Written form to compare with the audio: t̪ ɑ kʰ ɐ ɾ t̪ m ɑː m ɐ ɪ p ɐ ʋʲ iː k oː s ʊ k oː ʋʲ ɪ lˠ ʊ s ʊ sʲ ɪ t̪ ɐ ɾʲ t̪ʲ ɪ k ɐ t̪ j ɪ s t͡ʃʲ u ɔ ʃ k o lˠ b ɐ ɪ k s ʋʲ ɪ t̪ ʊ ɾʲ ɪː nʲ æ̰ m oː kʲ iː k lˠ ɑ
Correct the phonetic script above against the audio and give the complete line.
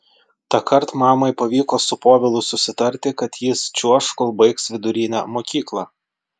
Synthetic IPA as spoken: t̪ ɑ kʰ ɐ ɾ t̪ m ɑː m ɐ ɪ p ɐ ʋʲ iː k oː s ʊ p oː ʋʲ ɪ lˠ ʊ s ʊ sʲ ɪ t̪ ɐ ɾʲ t̪ʲ ɪ k ɐ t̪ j ɪ s t͡ʃʲ u ɔ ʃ k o lˠ b ɐ ɪ k s ʋʲ ɪ d̪ ʊ ɾʲ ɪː nʲ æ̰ m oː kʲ iː k lˠ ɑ